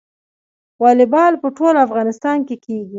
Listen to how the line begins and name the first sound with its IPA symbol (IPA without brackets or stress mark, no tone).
w